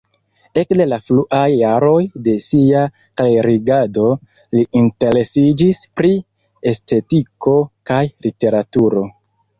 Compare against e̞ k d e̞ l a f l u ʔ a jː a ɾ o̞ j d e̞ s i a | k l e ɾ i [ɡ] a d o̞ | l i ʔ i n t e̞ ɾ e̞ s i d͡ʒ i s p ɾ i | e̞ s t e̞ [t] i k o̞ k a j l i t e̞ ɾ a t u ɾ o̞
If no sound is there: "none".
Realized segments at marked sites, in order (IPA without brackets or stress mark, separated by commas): ɡ, t